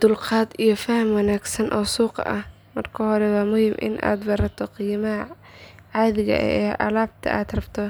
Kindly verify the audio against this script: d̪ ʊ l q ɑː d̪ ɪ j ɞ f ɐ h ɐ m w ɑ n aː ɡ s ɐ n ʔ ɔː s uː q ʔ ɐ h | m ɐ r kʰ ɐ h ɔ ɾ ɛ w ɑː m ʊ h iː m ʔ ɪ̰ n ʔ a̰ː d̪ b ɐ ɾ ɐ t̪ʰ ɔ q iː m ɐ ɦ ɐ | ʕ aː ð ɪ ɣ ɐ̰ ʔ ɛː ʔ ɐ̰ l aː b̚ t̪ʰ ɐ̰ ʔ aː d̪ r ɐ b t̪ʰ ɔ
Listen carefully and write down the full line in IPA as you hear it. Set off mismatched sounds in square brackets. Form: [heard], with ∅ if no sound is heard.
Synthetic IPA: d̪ ʊ l q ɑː d̪ [i] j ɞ f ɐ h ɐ m w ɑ n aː ɡ s ɐ n ʔ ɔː s uː q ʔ ɐ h | m ɐ r kʰ ɐ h ɔ ɾ ɛ w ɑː m ʊ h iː m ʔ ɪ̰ n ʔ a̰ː d̪ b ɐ ɾ ɐ t̪ʰ ɔ q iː m ɐ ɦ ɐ | ʕ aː ð ɪ ɣ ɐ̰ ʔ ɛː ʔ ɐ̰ l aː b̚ t̪ʰ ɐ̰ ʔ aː d̪ r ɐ b t̪ʰ ɔ